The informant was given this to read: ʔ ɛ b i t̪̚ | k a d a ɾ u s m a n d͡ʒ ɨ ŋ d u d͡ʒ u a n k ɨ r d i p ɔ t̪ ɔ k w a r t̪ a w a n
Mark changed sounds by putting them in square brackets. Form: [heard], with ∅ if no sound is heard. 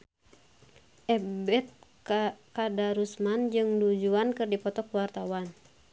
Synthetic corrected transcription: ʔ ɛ b [ɛ] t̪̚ | k a d a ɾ u s m a n d͡ʒ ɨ ŋ d u d͡ʒ u a n k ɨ r d i p ɔ t̪ ɔ k w a r t̪ a w a n